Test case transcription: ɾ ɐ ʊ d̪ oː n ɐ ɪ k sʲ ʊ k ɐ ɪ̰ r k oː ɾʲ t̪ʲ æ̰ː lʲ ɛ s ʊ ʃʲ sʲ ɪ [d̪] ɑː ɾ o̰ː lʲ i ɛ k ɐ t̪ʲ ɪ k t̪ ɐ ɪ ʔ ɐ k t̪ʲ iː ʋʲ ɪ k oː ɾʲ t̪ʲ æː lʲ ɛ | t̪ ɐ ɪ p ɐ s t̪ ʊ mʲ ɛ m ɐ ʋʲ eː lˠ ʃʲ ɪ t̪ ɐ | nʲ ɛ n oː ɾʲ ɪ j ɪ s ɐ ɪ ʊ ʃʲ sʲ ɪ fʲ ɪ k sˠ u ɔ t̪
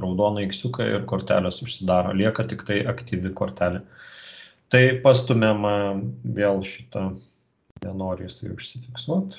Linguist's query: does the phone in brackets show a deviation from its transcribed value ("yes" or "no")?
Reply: no